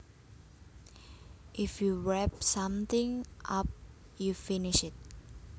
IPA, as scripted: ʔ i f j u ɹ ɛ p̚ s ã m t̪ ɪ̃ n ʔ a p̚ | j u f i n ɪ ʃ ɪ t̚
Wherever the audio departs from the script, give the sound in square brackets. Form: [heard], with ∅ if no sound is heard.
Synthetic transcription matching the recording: ʔ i f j u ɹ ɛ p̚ s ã m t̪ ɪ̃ [ŋ] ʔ a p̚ | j u f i n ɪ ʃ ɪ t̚